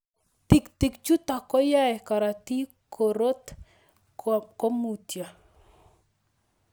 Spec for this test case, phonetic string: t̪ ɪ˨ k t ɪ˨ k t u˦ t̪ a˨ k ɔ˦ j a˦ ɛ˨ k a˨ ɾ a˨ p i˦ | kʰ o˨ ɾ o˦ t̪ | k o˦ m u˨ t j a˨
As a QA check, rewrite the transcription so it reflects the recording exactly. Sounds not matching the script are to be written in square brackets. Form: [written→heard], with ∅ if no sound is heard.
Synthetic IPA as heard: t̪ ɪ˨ k t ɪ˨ k [t→t͡ʃ] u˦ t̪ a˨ k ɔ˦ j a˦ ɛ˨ k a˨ ɾ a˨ [p→t] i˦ | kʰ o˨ ɾ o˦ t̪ | k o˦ m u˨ t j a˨